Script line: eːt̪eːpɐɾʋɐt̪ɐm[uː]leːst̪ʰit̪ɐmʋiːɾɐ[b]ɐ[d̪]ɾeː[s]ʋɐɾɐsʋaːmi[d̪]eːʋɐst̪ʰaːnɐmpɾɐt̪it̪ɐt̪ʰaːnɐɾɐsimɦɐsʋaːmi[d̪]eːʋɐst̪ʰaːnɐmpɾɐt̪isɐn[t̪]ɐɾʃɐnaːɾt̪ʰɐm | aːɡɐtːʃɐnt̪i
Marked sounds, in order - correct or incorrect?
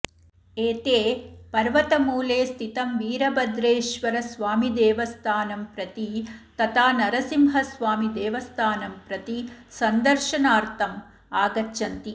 correct, correct, correct, incorrect, correct, correct, incorrect

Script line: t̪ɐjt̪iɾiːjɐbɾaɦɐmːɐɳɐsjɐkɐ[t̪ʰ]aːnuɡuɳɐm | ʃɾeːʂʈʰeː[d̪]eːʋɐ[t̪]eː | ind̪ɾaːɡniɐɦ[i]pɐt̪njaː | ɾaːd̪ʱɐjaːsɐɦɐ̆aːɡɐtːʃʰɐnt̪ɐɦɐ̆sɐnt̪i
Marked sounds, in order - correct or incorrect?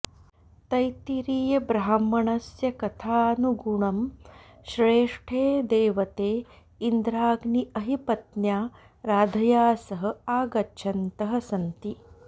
correct, correct, correct, correct

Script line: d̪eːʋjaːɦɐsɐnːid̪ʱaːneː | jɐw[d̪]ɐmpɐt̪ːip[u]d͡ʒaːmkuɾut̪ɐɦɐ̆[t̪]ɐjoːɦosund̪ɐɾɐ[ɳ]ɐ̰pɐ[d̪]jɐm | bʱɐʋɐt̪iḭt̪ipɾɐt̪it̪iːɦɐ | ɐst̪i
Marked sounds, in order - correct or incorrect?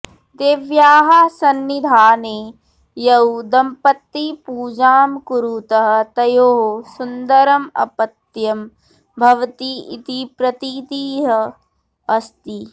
correct, incorrect, correct, incorrect, incorrect

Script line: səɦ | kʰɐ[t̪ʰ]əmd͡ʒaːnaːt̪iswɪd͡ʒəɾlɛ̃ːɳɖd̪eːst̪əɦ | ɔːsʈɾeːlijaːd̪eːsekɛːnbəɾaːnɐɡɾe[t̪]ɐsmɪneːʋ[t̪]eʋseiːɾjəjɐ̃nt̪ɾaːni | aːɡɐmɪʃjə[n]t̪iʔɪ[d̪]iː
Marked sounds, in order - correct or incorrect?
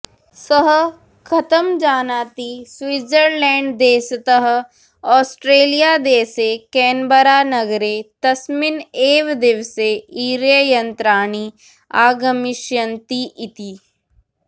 incorrect, correct, incorrect, correct, incorrect

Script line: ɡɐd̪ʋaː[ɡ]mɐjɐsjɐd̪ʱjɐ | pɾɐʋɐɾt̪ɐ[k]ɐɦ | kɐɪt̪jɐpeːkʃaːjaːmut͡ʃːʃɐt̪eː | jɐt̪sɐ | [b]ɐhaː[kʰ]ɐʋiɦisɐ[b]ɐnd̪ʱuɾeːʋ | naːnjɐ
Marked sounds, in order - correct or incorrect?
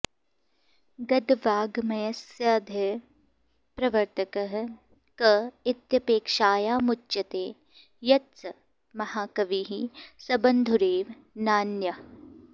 correct, correct, incorrect, incorrect, correct

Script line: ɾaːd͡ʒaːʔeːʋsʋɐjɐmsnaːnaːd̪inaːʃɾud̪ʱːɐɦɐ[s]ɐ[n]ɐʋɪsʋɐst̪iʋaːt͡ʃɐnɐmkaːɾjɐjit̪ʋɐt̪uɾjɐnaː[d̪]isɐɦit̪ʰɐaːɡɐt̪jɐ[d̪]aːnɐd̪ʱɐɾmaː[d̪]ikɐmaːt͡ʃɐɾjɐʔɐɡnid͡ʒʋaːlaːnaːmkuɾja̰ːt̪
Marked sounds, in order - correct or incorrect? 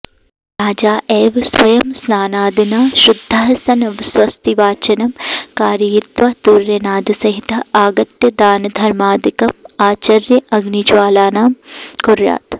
correct, correct, correct, correct, correct

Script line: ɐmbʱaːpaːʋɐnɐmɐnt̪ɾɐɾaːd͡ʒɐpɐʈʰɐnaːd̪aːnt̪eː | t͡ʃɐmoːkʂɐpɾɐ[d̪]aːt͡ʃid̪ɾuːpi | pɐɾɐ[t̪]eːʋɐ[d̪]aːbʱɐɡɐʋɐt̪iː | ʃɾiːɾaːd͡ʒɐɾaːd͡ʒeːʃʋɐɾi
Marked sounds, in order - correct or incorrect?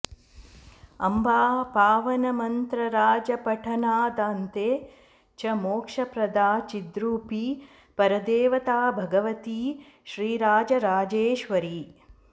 correct, incorrect, incorrect

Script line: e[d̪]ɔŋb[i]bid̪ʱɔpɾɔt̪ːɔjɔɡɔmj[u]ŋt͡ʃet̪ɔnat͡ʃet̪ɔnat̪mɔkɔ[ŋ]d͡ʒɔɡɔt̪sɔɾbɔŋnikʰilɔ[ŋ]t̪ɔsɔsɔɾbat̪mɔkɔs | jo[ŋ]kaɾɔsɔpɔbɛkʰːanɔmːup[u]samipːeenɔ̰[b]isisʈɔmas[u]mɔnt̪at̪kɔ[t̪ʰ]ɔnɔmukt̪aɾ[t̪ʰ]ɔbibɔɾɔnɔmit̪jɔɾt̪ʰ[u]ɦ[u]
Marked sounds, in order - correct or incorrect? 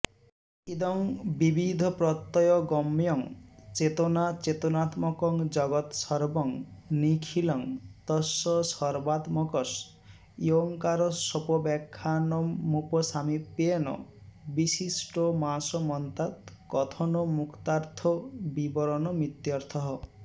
correct, correct, incorrect, correct, correct, correct, incorrect, correct, incorrect, correct, correct, incorrect, incorrect

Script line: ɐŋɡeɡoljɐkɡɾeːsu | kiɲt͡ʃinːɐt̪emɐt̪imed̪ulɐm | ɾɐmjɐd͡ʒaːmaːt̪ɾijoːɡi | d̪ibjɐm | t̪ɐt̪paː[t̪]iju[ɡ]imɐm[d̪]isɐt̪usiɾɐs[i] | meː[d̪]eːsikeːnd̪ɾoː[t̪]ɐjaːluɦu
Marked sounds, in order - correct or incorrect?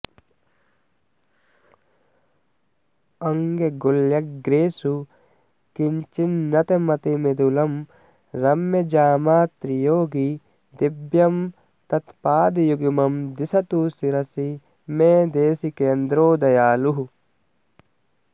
incorrect, correct, correct, correct, correct, incorrect

